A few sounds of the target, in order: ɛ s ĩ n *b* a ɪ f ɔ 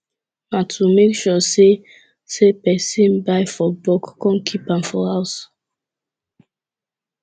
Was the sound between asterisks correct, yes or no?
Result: yes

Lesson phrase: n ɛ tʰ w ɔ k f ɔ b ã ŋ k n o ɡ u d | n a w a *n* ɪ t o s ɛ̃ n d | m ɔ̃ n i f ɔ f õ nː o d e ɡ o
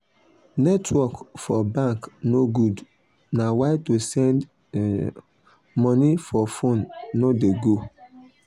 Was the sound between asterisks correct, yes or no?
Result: no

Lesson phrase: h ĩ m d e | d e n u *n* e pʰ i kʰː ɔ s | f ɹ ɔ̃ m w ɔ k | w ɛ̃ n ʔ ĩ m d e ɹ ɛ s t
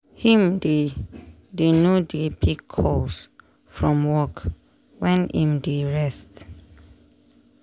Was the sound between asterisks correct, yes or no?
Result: no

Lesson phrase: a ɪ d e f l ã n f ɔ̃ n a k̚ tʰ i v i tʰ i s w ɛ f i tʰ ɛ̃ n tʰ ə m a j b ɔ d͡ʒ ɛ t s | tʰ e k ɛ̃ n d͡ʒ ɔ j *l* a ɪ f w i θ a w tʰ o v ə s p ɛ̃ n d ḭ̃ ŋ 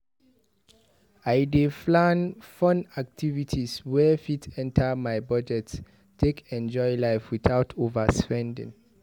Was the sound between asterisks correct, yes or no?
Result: yes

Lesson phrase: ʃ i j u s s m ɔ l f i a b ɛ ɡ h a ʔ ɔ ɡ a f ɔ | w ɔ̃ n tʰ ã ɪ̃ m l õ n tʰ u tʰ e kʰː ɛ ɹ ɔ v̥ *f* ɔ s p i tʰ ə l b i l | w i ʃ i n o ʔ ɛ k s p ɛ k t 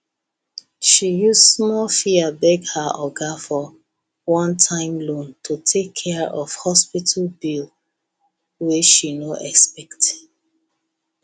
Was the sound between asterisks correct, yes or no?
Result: no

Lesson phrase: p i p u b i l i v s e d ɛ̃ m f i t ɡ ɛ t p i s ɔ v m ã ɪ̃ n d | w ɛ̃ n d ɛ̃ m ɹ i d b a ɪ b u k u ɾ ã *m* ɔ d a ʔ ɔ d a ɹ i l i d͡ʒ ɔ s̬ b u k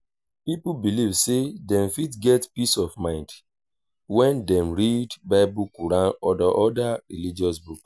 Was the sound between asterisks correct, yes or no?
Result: no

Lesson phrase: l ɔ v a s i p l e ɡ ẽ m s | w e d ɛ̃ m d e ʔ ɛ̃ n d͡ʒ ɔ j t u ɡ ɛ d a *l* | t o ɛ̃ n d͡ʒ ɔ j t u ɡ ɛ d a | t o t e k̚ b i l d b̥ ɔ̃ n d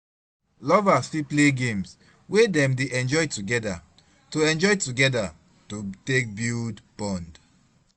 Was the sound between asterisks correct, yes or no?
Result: no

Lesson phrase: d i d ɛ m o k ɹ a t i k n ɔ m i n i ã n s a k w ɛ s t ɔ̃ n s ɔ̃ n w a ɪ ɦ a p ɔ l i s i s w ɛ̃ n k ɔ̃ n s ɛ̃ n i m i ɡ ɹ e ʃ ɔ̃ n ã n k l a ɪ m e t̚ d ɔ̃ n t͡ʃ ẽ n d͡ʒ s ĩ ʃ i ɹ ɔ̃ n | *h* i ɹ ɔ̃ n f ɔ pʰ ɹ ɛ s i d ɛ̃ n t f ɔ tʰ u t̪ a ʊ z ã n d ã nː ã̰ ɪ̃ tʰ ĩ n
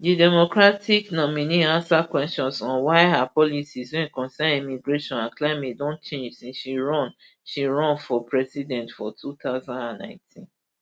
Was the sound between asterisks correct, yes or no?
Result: no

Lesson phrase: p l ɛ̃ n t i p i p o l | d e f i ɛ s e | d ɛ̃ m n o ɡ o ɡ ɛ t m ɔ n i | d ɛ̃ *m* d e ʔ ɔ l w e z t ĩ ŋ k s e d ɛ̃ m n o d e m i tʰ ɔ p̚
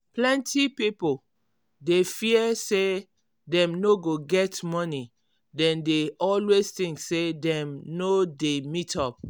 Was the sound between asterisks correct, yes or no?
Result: no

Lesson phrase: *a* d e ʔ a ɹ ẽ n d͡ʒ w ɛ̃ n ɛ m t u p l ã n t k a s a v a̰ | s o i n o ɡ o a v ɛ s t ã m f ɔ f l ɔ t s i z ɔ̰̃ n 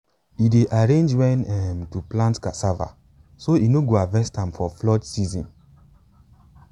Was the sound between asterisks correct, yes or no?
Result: no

